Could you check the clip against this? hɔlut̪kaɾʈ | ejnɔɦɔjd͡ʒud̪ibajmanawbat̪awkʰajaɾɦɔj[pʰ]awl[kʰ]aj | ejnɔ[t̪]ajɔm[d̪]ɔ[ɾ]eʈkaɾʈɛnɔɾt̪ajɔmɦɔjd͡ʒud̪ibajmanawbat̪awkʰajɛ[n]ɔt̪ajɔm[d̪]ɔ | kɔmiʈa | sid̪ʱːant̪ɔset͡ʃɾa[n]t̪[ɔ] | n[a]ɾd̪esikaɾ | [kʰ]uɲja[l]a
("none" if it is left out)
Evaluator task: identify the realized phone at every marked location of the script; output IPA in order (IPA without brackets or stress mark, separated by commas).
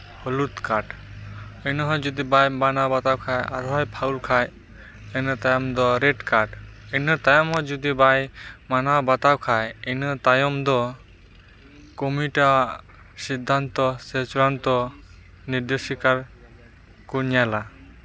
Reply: pʰ, kʰ, t̪, d̪, ɾ, n, d̪, n, ɔ, i, k, l